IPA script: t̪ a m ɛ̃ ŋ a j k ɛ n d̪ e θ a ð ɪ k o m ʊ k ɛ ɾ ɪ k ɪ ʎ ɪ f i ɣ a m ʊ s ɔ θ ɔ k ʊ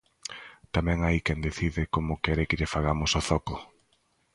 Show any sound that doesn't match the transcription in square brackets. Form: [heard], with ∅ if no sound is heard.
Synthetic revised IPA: t̪ a m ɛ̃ ŋ a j k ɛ n d̪ e θ [i] ð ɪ k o m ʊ k ɛ ɾ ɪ k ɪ ʎ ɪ f [a] ɣ a m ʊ s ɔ θ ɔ k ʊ